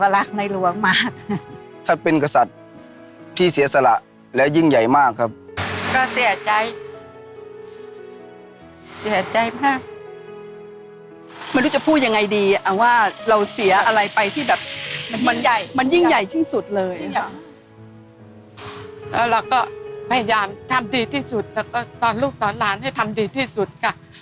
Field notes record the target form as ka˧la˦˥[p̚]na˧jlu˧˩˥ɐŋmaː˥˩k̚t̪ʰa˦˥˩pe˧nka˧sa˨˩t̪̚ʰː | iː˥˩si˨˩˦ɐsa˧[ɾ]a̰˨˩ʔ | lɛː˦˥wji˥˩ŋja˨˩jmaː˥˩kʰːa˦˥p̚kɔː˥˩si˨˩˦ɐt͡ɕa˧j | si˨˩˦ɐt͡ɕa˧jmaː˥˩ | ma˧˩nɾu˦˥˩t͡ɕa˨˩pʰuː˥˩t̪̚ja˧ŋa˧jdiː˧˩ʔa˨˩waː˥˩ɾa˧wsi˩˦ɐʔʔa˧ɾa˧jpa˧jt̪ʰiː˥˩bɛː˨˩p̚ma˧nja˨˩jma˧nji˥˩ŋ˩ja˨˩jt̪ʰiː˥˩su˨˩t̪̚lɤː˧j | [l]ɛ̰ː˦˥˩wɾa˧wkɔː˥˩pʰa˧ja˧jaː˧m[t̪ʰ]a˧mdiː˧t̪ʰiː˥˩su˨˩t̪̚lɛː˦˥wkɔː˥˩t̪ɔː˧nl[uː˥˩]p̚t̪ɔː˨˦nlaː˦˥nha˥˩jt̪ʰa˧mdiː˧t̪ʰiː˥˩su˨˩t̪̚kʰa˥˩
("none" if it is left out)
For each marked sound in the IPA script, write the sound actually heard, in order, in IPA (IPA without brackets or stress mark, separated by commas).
k̚, l, l, t̪ʰ, uː˥˩